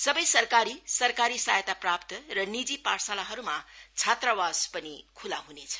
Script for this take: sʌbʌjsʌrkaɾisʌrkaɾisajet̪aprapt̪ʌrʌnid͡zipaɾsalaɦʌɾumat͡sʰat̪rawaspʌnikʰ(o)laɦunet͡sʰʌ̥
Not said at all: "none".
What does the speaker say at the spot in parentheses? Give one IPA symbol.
u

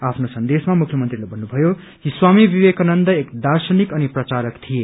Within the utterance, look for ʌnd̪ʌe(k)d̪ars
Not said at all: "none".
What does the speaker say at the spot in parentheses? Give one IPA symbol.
k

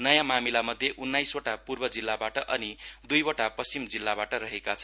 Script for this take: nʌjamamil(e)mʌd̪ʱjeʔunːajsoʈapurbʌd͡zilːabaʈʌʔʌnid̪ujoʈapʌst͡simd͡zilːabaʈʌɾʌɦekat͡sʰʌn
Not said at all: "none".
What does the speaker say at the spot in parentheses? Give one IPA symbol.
a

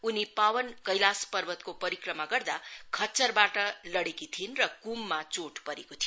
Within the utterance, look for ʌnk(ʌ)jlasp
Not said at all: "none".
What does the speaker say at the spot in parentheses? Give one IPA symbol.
ʌ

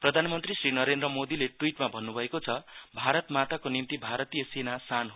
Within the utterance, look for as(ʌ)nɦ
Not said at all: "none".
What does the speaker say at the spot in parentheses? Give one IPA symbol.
a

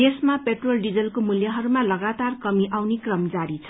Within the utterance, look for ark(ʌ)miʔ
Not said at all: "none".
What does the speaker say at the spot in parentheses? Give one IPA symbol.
ʌ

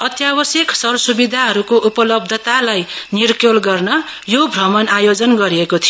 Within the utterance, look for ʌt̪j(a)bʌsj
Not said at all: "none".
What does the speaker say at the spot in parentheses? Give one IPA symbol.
a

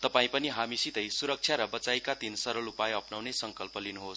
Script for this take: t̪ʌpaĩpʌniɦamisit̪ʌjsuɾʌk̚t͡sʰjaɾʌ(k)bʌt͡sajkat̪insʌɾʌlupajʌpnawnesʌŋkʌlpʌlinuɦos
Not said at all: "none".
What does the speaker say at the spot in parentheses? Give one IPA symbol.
none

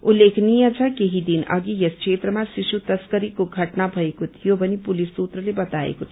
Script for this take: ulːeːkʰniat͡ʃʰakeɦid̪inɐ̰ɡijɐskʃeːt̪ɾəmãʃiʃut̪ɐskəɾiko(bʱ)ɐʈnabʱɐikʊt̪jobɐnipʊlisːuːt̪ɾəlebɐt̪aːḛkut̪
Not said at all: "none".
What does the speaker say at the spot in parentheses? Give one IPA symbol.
ɡʱ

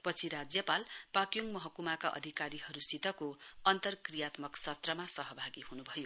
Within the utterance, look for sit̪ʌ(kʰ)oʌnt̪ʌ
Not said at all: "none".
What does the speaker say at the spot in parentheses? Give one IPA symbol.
k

